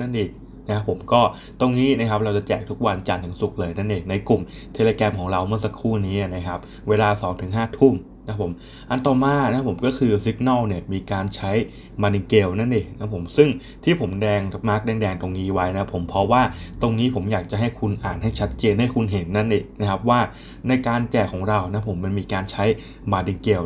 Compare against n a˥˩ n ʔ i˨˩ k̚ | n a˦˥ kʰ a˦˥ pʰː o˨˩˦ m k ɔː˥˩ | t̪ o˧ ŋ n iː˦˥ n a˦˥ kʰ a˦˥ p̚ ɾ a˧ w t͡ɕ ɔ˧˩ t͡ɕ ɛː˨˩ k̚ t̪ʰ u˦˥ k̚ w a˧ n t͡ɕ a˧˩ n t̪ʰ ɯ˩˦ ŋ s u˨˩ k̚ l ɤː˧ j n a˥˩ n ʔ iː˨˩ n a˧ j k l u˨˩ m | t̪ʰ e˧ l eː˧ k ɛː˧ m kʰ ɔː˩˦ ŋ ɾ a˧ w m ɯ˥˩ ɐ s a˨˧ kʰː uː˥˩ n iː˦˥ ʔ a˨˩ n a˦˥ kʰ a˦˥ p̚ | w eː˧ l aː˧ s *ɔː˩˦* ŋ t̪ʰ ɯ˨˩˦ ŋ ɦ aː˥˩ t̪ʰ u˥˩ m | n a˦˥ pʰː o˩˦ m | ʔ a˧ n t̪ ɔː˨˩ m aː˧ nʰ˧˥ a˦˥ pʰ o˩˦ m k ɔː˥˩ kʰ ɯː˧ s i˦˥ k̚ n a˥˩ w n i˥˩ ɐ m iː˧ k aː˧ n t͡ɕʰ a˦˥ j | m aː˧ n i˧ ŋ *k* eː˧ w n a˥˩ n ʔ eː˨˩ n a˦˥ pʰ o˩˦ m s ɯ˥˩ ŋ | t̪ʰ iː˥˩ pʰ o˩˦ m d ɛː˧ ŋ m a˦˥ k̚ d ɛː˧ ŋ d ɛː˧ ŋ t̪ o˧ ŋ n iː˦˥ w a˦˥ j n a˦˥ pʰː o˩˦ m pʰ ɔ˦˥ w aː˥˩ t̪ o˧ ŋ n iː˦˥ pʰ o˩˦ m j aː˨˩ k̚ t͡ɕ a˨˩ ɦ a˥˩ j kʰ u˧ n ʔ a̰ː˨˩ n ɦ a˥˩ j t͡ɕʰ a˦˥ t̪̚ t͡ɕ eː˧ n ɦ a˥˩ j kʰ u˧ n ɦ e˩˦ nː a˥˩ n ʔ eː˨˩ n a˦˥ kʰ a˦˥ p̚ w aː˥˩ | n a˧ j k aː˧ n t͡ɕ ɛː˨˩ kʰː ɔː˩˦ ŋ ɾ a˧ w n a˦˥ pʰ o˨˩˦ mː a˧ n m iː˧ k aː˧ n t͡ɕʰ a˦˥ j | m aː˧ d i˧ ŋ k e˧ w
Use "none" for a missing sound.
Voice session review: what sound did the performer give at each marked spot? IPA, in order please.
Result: ɔː˩˦, k

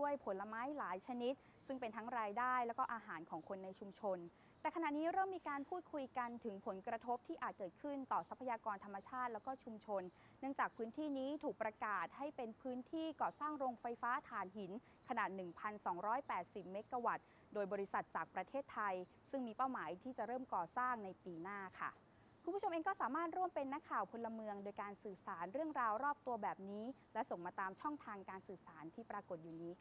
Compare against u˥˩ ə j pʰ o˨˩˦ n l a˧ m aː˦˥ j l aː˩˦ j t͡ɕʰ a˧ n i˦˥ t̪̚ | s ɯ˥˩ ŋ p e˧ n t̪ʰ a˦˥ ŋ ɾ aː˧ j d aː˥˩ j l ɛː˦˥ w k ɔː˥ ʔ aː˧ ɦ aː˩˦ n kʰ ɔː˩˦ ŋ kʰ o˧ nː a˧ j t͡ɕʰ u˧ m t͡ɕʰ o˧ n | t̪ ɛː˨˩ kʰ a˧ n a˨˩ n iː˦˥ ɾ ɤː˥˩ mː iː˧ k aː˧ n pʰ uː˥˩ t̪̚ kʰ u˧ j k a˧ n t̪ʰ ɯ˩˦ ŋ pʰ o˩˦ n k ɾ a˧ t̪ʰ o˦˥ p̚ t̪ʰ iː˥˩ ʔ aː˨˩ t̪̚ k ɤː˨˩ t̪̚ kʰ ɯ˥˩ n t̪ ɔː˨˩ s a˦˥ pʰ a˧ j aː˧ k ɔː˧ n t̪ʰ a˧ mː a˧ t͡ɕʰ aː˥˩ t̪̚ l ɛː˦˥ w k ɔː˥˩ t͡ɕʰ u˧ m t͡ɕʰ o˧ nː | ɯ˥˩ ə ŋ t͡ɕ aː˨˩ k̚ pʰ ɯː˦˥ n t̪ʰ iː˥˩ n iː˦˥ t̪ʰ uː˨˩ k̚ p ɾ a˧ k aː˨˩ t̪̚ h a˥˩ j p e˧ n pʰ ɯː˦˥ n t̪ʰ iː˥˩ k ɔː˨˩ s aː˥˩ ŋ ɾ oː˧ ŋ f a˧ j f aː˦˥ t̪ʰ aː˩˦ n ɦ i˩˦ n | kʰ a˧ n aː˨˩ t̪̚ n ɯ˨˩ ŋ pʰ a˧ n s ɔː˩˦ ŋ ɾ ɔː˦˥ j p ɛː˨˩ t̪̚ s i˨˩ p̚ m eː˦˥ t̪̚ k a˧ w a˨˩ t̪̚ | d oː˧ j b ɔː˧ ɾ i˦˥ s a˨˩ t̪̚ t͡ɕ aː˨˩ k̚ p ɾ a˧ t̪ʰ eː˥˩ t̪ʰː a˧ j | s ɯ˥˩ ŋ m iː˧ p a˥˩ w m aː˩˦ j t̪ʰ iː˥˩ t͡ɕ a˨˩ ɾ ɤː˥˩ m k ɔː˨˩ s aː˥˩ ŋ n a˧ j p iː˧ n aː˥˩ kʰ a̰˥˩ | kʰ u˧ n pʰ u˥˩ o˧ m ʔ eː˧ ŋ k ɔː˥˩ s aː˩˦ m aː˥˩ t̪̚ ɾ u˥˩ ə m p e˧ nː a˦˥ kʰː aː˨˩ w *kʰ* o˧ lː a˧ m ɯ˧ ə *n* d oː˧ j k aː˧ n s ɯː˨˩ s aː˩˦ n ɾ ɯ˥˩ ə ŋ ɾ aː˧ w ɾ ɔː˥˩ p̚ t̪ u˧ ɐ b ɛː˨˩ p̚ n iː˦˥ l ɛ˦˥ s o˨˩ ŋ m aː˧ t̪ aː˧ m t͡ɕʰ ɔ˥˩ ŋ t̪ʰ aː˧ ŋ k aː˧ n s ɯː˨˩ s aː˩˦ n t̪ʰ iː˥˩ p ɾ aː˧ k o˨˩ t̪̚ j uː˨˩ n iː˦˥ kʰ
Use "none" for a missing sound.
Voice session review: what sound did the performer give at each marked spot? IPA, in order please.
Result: pʰ, ŋ

